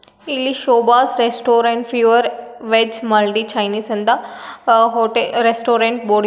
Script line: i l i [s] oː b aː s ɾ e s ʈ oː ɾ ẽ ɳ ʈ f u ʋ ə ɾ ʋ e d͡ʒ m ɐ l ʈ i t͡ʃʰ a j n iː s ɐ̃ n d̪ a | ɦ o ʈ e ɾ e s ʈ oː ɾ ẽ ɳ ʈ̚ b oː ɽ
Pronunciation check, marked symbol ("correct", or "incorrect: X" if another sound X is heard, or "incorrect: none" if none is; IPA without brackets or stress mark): incorrect: ʃ